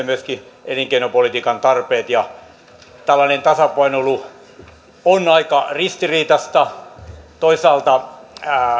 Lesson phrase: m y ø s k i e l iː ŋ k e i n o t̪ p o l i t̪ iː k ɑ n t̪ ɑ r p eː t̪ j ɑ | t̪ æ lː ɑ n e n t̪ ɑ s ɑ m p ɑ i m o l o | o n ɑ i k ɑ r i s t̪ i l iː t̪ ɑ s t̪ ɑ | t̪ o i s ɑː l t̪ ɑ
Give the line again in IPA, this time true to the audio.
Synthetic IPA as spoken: m y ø s k i e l i ŋ k e i n o p o l i t̪ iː k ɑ n t̪ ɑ r p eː t̪ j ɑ | t̪ æ lː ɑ n e n t̪ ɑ s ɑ p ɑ i n o l u | o n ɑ i k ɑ r i s t̪ i r iː t̪ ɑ s t̪ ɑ | t̪ o i s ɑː l t̪ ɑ